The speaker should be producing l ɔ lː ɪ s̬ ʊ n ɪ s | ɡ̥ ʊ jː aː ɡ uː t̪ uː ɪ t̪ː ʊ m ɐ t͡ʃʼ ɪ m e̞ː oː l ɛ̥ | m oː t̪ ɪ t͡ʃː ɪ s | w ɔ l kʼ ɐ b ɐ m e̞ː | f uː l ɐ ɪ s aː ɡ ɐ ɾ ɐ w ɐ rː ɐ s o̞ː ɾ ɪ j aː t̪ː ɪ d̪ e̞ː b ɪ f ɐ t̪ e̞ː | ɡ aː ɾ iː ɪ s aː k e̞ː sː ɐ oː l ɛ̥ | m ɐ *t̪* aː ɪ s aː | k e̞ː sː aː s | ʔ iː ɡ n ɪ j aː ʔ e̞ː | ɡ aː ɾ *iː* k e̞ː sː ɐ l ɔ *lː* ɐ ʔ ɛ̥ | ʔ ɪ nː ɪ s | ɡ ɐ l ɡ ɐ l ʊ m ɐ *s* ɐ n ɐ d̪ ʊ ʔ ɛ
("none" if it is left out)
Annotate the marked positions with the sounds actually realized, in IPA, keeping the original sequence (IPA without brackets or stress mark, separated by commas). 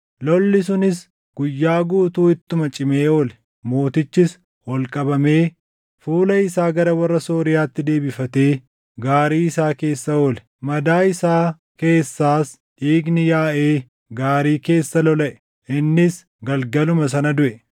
d̪, iː, l, s